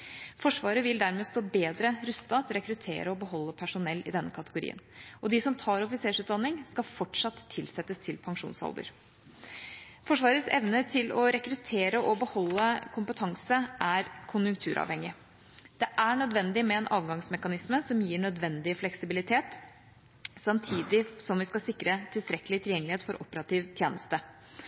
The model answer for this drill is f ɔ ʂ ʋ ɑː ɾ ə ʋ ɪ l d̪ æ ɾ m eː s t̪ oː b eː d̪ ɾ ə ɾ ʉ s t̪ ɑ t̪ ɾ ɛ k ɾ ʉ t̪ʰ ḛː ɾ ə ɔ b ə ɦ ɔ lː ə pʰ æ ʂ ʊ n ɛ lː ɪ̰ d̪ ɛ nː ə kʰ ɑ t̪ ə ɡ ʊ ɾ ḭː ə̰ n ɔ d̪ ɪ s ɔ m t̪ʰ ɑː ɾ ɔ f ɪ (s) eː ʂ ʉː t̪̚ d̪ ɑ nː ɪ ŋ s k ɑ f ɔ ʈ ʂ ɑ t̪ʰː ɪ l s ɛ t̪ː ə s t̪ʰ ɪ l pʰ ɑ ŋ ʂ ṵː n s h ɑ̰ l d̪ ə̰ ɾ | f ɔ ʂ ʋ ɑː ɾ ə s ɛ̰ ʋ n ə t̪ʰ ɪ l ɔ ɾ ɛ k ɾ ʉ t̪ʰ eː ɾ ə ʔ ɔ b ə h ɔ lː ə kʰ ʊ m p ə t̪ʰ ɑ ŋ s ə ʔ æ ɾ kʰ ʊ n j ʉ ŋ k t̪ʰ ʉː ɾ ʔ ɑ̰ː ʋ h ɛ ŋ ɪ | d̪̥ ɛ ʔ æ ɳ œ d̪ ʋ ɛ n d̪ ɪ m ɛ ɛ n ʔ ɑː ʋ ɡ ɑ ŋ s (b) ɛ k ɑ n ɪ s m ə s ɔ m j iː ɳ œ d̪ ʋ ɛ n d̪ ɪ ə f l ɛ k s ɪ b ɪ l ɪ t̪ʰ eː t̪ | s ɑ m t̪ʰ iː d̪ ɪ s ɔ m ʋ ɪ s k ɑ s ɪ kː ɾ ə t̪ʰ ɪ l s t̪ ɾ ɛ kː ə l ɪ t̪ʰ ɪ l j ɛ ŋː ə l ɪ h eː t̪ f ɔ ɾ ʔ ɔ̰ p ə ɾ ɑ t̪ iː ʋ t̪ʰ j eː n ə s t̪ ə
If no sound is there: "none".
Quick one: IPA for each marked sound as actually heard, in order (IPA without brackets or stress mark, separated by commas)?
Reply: s, m